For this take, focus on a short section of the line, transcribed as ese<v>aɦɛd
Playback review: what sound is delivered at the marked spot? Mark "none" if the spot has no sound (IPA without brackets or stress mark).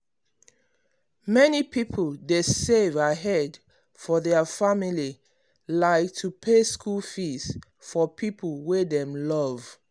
v